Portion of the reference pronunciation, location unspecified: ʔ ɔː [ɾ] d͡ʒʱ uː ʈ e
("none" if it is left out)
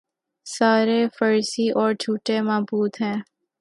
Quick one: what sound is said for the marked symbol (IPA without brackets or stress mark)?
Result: ɾ